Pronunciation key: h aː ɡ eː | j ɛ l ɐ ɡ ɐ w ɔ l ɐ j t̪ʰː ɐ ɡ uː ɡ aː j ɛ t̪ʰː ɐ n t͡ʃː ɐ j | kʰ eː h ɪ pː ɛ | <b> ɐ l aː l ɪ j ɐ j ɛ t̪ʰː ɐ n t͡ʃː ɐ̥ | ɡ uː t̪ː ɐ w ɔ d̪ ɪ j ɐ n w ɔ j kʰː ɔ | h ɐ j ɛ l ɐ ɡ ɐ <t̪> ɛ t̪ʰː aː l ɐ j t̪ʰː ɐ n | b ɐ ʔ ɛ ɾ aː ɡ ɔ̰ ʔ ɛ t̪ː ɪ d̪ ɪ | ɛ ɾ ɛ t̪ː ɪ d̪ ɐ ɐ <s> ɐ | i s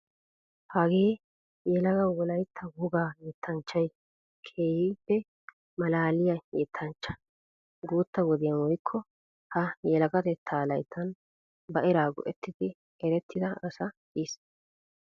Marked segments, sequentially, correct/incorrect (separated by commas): incorrect, correct, correct